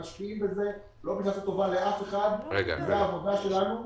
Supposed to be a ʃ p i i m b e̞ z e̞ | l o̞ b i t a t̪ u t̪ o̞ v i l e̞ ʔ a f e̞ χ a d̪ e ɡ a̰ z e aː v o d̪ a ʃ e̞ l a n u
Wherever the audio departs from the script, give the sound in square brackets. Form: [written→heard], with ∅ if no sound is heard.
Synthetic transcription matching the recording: a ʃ p i i m b e̞ z e̞ | l o̞ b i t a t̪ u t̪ o̞ v [i→a] l e̞ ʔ a f e̞ χ a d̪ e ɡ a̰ z e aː v o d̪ a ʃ e̞ l a n u

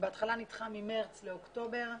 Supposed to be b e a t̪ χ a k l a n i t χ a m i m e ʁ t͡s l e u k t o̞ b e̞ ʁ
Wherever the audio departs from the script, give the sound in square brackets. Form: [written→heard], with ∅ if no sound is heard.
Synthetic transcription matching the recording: b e a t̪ χ a [k→∅] l a n i t χ a m i m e ʁ t͡s l e [u→o] k t o̞ b e̞ ʁ

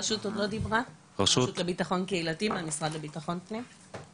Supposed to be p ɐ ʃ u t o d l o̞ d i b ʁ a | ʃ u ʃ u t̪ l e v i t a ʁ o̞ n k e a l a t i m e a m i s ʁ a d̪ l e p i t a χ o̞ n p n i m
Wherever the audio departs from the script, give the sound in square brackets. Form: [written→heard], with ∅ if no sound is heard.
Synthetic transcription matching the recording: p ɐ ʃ u t o d l o̞ d i b ʁ a | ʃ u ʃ u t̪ l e [v→b] i t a [ʁ→χ] o̞ n k e [a→i] l a t i m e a m i s ʁ a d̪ l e [p→b] i t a χ o̞ n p n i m

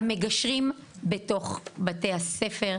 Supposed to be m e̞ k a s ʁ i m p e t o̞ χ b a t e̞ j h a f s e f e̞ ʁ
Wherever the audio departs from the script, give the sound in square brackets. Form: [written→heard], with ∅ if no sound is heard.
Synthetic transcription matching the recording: m e̞ [k→ɡ] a [s→ʃ] ʁ i m [p→b] e t o̞ χ b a t e̞ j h a [f→∅] s e f e̞ ʁ

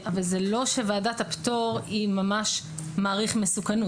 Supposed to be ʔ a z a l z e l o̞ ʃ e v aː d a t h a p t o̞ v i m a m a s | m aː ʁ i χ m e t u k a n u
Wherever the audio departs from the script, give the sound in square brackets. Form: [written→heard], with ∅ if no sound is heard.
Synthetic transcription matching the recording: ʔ a [z→v] a l z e l o̞ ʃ e v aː d a t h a p t o̞ [v→ʁ] i m a m a [s→ʃ] | m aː ʁ i χ m e [t→s] u k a n u

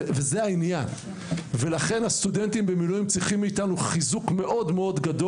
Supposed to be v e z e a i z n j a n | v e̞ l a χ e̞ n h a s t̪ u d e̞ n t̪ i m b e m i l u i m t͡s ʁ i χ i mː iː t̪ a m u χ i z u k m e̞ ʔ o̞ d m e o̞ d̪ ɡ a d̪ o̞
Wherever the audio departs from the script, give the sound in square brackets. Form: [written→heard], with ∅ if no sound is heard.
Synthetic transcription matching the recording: v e z e a i [z→∅] n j a n | v e̞ l a χ e̞ n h a s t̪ u d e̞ n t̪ i m b e m i l u i m t͡s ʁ i χ i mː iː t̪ a [m→n] u χ i z u k m e̞ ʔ o̞ d m e o̞ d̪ ɡ a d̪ o̞

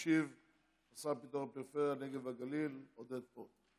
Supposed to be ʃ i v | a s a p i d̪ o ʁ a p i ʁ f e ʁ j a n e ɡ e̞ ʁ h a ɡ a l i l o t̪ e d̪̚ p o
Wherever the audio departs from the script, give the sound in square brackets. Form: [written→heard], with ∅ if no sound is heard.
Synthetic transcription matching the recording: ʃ i v | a s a p i [d̪→t̪] o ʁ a p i ʁ f e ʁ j a n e ɡ e̞ [ʁ→v] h a ɡ a l i l o [t̪→d̪] e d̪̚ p o

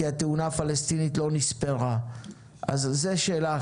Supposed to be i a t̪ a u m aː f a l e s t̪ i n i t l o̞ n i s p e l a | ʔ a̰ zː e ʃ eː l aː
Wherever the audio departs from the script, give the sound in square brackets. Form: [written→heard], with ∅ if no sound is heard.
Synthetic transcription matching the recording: i a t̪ [a→e] u [m→n] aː f a l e s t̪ i n i t l o̞ n i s p e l a | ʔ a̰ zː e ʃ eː l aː

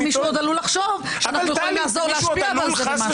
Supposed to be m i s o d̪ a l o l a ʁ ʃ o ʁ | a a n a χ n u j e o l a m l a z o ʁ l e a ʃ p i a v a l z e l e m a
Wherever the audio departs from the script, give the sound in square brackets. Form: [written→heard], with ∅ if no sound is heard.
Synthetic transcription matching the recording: m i [s→ʃ] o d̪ a l [o→u] l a [ʁ→χ] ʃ o [ʁ→v] | a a n a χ n u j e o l [a→i] m l a z o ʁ l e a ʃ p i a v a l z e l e m a

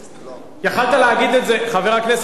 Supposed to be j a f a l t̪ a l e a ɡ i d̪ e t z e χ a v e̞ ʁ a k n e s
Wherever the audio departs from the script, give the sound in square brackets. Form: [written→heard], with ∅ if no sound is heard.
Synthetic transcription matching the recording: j a [f→χ] a l t̪ a l e a ɡ i d̪ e t z e χ a v e̞ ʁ a k n e s

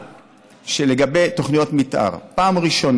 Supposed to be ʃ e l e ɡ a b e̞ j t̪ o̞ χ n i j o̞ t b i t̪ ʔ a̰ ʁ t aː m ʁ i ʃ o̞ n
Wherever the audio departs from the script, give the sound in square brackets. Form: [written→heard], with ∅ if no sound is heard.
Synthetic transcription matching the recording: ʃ e l e ɡ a b e̞ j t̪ o̞ χ n i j o̞ t [b→m] i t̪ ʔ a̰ ʁ [t→p] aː m ʁ i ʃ o̞ n

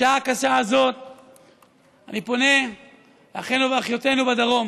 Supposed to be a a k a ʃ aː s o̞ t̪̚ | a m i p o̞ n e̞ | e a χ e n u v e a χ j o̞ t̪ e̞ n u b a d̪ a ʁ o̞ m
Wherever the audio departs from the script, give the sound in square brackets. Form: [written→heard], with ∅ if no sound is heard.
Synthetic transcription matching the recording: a a k a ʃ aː [s→z] o̞ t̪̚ | a [m→n] i p o̞ n e̞ | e a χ e n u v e a χ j o̞ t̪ e̞ n u b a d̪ a ʁ o̞ m

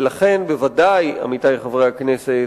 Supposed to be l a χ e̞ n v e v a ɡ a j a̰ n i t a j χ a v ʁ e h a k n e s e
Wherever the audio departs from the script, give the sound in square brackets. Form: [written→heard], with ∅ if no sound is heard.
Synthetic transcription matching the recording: l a χ e̞ n [v→b] e v a [ɡ→d] a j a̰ [n→m] i t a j χ a v ʁ e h a k n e s e

